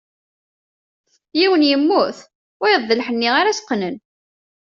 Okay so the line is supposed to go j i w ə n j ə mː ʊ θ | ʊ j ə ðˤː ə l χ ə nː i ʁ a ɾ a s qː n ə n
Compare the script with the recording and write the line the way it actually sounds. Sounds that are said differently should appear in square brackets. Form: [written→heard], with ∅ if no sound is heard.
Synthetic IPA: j i w ə n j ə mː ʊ θ | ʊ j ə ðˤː ə l [χ→ħ] ə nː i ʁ a ɾ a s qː n ə n